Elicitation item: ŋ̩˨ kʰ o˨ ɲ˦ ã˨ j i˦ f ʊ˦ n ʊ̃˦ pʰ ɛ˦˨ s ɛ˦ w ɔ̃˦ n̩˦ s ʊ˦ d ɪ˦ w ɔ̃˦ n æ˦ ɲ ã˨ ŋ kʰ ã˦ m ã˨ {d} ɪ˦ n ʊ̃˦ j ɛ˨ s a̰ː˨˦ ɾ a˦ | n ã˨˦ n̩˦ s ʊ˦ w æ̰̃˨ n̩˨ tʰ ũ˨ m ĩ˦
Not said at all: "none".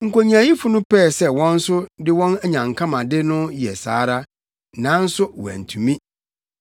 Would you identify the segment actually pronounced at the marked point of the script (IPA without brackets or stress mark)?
d